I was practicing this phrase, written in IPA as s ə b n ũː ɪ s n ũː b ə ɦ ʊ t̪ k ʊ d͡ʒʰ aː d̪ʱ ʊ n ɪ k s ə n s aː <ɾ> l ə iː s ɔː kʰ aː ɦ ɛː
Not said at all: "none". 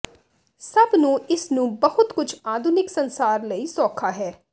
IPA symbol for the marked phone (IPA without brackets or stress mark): ɾ